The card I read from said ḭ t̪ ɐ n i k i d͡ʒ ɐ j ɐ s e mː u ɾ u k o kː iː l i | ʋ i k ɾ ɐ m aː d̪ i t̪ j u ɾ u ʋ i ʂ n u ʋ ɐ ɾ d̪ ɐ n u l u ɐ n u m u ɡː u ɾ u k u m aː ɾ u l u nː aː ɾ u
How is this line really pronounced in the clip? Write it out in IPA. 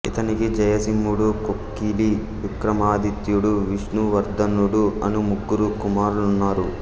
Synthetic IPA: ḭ t̪ ɐ n i k i d͡ʒ ɐ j ɐ s i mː u ɽ u k o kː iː l i | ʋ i k ɾ ɐ m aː d̪ i t̪ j u ɽ u ʋ i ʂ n u ʋ ɐ ɾ d̪ ɐ n u ɽ u ɐ n u m u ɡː u ɾ u k u m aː ɾ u l u nː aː ɾ u